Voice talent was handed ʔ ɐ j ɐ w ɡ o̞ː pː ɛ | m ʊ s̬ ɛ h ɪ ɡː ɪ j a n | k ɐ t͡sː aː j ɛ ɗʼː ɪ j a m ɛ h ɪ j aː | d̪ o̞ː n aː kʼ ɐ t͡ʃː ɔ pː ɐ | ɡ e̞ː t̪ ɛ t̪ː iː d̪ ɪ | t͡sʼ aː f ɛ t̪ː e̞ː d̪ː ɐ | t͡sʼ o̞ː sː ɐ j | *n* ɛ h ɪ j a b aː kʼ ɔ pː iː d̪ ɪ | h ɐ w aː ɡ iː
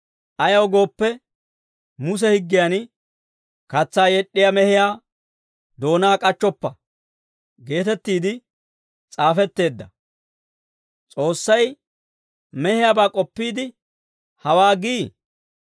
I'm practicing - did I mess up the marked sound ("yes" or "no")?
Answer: yes